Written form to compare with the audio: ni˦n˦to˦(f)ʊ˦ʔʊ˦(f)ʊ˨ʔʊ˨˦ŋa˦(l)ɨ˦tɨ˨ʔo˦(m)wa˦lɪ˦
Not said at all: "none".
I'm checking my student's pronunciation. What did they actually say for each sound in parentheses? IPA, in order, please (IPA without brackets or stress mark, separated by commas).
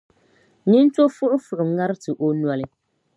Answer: f, f, ɾ, n